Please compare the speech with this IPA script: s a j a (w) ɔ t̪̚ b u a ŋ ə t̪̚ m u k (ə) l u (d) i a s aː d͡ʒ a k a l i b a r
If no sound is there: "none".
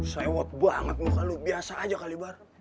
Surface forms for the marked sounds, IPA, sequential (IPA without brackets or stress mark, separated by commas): w, a, b